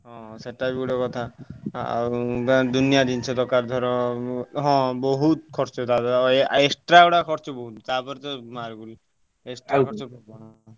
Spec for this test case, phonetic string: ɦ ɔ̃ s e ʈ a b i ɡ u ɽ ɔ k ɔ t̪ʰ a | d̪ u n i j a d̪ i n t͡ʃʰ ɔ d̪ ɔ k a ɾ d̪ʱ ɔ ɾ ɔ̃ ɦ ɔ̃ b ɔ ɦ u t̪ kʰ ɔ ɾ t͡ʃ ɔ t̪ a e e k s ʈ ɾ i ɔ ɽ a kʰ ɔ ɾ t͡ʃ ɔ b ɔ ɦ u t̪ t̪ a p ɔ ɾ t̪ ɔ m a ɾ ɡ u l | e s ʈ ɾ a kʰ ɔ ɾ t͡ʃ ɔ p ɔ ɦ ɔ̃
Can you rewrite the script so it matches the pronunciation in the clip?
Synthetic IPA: ɦ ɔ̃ s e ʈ a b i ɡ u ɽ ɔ k ɔ t̪ʰ a | d̪ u n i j a d̪ i n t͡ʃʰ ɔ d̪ ɔ k a ɾ d̪ʱ ɔ ɾ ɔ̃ ɦ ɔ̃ b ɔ ɦ u t̪ kʰ ɔ ɾ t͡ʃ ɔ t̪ a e e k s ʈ ɾ a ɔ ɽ a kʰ ɔ ɾ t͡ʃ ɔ b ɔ ɦ u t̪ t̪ a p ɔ ɾ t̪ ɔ m a ɾ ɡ u l | e s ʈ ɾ a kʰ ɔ ɾ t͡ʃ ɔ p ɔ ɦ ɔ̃

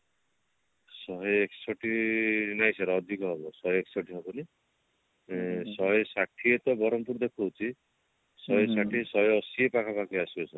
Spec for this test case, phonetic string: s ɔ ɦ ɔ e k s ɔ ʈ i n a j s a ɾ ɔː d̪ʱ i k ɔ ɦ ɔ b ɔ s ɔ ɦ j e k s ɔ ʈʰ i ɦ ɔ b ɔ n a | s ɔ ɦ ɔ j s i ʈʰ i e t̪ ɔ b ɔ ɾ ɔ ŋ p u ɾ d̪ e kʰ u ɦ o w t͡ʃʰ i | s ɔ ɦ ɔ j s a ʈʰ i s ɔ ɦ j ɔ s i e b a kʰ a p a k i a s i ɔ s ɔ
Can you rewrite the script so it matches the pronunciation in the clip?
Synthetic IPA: s ɔ ɦ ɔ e k s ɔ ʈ i n a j s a ɾ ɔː d̪ʱ i k ɔ ɦ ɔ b ɔ s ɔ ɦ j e k s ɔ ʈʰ i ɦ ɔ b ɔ n i | s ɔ ɦ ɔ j s a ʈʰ i e t̪ ɔ b ɔ ɾ ɔ m p u ɾ d̪ e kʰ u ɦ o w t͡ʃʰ i | s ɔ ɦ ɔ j s a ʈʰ i s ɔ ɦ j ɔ s i e p a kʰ a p a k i a s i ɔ s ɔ

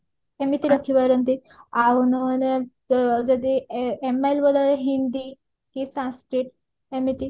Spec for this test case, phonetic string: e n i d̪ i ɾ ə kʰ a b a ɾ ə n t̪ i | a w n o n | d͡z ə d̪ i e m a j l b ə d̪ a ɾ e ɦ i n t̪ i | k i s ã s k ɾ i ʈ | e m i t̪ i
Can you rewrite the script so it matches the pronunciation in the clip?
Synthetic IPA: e m i t̪ i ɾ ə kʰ i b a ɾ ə n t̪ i | a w n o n | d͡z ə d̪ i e m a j l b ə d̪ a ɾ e ɦ i n d̪ i | k i s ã s k ɾ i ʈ | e m i t̪ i

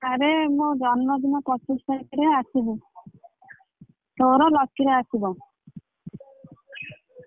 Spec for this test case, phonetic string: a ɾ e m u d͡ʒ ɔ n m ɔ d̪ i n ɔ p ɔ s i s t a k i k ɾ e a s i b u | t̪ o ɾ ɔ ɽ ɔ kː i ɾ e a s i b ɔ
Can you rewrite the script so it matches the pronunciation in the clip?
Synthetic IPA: a ɾ e m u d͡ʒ ɔ n m ɔ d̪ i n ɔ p ɔ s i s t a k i ɾ e a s i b u | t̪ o ɾ ɔ l ɔ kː i ɾ e a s i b ɔ

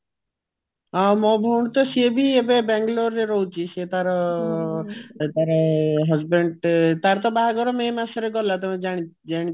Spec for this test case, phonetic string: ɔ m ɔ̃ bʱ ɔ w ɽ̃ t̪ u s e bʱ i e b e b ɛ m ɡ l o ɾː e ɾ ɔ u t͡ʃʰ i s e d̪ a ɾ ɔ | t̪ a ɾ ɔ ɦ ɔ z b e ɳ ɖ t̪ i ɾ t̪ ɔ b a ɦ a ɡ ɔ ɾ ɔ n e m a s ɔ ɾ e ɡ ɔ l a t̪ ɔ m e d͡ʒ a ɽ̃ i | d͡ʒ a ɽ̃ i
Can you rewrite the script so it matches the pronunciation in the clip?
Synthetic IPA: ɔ m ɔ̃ bʱ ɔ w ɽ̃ t̪ ɔ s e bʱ i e b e b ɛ ŋ ɡ l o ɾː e ɾ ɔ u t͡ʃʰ i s e t̪ a ɾ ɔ | t̪ a ɾ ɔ ɦ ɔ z b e ɳ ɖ t̪ a ɾ t̪ ɔ b a ɦ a ɡ ɔ ɾ ɔ m e m a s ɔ ɾ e ɡ ɔ l a t̪ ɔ m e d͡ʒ a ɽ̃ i | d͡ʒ a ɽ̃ i

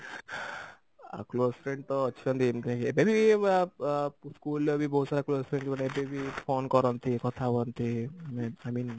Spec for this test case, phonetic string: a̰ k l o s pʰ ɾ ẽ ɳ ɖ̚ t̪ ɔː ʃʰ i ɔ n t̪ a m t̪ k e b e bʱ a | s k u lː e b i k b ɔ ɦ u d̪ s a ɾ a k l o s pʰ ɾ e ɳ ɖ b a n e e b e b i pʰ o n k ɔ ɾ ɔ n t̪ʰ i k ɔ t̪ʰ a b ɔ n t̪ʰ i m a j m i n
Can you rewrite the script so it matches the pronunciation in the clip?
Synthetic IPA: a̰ k l o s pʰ ɾ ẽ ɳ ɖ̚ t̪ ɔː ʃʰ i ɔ n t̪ i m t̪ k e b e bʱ i | s k u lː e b i b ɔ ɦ u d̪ s a ɾ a k l o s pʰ ɾ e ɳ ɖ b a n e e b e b i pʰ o n k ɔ ɾ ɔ n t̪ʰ i k ɔ t̪ʰ a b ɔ n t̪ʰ i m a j m i n

